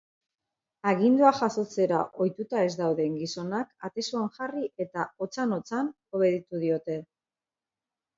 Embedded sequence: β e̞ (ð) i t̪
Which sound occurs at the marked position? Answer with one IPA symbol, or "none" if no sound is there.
ð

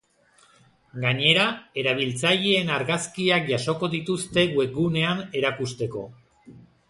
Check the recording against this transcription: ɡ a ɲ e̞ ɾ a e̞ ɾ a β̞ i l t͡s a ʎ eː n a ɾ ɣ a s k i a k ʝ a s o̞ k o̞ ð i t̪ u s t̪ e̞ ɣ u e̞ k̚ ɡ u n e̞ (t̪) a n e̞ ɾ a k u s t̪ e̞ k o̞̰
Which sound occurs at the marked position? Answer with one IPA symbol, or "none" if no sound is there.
none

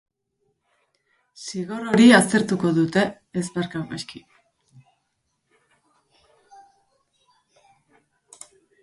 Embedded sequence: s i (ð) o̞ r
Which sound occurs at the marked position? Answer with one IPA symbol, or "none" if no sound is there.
ɣ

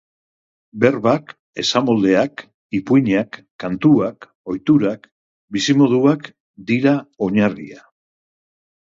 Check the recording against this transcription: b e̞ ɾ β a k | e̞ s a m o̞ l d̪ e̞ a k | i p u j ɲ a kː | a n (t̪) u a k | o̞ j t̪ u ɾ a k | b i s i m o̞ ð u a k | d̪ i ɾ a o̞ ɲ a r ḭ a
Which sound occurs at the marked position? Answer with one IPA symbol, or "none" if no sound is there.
t̪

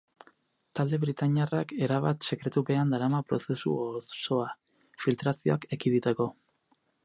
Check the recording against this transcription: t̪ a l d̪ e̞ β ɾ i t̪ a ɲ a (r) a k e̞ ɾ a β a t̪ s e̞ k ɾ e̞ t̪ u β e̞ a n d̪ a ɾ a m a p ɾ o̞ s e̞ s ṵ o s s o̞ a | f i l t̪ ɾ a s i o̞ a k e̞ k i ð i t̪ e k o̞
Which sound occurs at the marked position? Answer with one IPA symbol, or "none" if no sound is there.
r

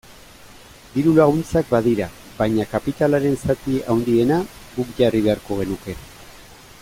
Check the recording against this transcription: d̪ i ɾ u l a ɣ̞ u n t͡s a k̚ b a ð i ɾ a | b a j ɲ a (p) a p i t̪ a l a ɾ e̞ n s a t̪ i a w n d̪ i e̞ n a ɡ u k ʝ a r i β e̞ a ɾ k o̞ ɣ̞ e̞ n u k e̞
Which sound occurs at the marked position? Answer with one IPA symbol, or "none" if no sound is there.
k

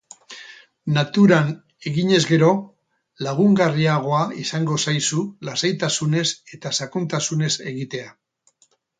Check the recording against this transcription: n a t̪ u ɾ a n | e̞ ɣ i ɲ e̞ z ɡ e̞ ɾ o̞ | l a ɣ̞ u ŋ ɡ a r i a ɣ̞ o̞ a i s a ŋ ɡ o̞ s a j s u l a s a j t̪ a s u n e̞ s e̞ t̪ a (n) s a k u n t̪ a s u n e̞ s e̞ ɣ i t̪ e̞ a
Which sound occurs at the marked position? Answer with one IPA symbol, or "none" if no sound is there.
none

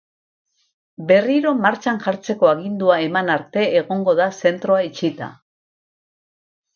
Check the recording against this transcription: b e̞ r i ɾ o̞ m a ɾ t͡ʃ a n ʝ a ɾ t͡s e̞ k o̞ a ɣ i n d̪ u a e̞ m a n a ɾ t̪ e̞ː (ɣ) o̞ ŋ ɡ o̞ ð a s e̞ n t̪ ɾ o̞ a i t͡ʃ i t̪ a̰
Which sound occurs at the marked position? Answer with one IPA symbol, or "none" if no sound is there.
ɣ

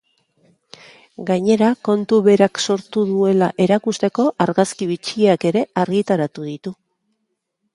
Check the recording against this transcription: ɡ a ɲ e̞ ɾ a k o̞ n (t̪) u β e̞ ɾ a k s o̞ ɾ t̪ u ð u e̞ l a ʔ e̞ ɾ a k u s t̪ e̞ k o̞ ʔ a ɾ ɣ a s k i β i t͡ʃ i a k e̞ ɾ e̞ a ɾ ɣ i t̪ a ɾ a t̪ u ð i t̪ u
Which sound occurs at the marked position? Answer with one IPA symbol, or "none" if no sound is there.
t̪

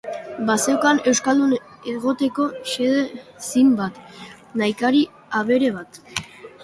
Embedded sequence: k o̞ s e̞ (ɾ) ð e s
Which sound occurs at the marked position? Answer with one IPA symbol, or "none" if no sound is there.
none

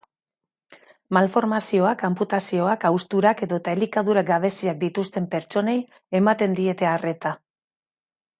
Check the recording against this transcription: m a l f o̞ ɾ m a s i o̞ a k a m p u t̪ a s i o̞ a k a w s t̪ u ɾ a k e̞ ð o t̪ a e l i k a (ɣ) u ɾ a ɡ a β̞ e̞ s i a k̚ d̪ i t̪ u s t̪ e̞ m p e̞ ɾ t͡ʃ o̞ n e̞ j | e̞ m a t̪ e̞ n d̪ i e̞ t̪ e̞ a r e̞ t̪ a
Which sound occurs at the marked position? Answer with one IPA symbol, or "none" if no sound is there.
ð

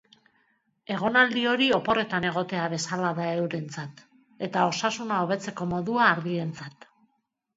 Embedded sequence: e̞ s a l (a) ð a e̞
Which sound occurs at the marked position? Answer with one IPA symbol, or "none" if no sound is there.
a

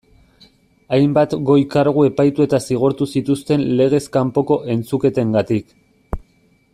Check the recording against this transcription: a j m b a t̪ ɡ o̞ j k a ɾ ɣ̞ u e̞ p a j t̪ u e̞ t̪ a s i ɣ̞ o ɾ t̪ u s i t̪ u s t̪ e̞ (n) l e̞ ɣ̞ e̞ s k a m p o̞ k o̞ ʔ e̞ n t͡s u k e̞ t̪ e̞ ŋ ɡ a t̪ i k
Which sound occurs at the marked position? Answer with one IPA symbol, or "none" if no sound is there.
n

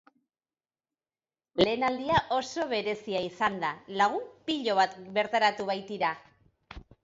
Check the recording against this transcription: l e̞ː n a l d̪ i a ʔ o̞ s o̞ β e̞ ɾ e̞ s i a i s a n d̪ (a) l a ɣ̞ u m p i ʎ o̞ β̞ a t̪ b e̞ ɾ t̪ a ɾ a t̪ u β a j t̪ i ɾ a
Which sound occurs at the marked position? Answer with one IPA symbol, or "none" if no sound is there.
a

